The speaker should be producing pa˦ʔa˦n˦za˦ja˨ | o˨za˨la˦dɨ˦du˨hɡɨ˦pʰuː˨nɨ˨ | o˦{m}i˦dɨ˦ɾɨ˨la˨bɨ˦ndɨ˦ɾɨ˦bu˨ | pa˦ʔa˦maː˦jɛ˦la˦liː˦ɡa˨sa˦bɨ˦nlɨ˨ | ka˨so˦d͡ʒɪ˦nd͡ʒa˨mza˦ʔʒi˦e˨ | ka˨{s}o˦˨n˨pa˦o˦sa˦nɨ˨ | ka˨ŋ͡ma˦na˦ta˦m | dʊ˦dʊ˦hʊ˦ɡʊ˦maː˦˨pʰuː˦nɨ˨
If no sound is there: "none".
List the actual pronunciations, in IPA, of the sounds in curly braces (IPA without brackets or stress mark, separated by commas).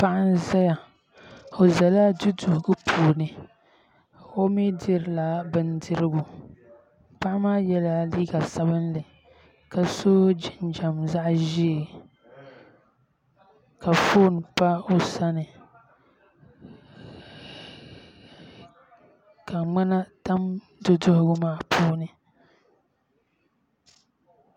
m, f